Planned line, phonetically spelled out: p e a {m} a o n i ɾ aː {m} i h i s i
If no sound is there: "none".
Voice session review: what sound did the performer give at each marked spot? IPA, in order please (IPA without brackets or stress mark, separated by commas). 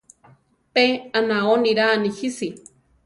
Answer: n, n